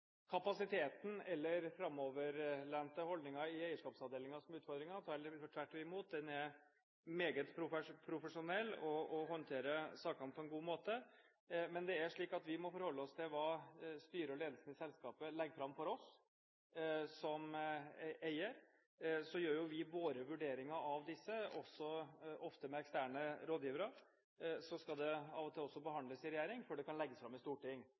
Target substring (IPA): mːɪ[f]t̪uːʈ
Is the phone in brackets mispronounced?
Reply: yes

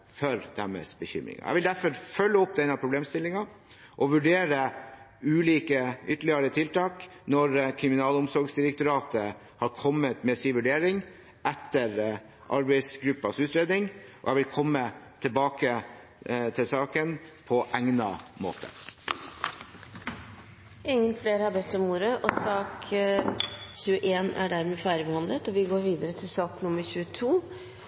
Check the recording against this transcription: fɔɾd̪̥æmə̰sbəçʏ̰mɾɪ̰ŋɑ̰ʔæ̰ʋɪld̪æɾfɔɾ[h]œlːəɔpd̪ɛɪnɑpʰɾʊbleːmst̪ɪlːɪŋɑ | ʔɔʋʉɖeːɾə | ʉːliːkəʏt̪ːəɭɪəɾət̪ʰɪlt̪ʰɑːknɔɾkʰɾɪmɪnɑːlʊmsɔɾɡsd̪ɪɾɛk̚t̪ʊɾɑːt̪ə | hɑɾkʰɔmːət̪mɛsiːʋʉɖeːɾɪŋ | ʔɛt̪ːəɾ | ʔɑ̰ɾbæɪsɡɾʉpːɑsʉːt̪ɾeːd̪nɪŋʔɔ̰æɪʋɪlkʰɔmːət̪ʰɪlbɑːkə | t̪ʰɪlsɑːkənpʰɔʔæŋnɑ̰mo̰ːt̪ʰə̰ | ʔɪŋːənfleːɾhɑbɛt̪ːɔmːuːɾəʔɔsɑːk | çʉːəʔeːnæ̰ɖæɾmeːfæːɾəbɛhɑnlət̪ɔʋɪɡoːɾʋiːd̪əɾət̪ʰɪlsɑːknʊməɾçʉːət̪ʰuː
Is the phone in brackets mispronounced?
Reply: yes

